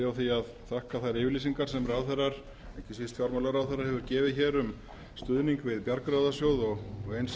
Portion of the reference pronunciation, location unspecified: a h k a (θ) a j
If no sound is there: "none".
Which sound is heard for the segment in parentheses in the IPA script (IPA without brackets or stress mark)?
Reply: θ